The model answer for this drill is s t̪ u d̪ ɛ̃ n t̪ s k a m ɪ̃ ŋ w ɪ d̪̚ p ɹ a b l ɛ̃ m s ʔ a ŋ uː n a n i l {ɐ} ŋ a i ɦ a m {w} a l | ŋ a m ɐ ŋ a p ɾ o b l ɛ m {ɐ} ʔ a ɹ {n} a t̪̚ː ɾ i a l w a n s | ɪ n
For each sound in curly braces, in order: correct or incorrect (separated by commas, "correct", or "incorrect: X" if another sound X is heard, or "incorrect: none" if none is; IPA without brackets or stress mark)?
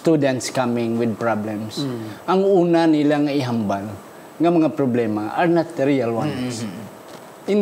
incorrect: a, incorrect: b, incorrect: a, correct